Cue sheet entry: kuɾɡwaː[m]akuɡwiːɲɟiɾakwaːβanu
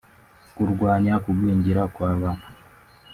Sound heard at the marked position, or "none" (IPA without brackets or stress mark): ɲ